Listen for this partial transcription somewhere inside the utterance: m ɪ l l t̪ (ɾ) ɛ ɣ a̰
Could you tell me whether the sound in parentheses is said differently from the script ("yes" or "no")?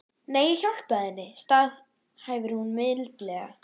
yes